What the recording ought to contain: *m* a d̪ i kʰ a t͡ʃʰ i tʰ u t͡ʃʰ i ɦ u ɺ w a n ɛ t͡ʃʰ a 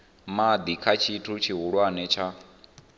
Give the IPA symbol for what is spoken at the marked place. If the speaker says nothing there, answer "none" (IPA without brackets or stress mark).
m